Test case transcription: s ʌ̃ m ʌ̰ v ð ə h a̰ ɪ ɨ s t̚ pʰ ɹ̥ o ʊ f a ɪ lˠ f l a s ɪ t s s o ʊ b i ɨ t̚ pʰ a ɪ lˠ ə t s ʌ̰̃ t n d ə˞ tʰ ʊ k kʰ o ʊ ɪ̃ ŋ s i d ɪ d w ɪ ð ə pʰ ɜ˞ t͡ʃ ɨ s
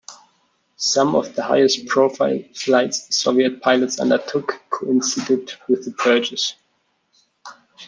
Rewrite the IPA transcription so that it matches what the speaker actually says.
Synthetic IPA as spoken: s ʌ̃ m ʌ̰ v ð ə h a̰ ɪ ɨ s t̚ pʰ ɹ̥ o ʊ f a ɪ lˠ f l a ɪ t s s o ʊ v i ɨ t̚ pʰ a ɪ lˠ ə t s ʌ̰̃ n d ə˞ tʰ ʊ k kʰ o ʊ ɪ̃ n s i d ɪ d w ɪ ð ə pʰ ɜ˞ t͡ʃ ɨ s